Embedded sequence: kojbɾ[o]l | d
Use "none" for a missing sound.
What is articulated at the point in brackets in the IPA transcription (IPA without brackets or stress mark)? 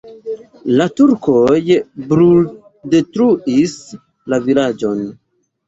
u